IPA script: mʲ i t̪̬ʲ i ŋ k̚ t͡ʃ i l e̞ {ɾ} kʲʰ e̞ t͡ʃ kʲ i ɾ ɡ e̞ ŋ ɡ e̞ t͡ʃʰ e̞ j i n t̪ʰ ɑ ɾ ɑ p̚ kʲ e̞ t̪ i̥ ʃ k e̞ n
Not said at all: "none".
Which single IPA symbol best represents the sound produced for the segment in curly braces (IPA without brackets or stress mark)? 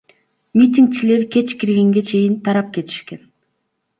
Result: ɾ